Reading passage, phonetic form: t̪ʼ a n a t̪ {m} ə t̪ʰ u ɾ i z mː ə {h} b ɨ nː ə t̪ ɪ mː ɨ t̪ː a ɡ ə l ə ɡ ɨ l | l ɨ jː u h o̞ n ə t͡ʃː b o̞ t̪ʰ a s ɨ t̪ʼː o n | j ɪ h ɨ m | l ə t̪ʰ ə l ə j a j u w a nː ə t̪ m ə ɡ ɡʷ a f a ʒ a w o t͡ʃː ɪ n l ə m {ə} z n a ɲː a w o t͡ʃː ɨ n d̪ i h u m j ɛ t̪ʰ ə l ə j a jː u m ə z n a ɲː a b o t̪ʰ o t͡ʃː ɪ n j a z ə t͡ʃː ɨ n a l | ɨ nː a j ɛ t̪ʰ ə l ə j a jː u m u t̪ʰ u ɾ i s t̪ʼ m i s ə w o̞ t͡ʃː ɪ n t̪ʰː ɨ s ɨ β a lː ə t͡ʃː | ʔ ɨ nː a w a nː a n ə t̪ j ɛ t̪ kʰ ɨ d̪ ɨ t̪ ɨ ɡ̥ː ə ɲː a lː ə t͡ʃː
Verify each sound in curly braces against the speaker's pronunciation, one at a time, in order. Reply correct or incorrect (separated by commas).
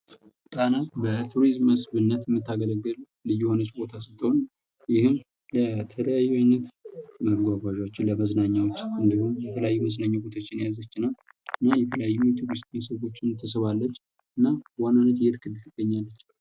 incorrect, incorrect, correct